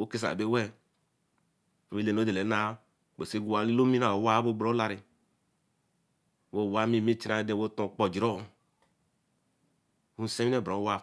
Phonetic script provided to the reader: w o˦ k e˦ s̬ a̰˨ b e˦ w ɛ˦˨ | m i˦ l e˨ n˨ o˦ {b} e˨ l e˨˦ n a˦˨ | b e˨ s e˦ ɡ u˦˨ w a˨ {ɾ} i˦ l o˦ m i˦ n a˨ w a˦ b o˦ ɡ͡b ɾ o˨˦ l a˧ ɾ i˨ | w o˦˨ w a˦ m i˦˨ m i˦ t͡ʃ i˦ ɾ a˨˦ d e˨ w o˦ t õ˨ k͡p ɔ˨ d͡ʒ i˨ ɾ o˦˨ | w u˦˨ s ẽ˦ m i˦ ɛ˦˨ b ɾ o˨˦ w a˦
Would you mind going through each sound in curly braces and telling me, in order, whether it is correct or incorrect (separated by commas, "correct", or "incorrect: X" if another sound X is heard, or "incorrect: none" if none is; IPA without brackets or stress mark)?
incorrect: d, incorrect: l